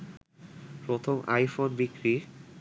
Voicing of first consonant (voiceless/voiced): voiceless